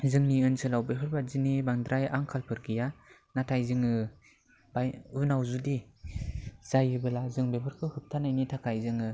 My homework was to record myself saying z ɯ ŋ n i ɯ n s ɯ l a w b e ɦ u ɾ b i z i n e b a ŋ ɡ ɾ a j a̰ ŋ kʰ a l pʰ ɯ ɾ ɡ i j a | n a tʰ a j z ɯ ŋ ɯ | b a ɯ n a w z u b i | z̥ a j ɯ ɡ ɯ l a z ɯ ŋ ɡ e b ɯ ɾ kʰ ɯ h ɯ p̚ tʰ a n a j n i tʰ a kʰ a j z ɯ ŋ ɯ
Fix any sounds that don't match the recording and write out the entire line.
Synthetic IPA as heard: z ɯ ŋ n i ɯ n s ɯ l a w b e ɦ ɯ ɾ b a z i n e b a ŋ d ɾ a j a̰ ŋ kʰ a l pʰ ɯ ɾ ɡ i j a | n a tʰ a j z ɯ ŋ ɯ | b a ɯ n a w z u d i | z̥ a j ɯ b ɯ l a z ɯ ŋ b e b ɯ ɾ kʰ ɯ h ɯ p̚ tʰ a n a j n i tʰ a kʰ a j z ɯ ŋ ɯ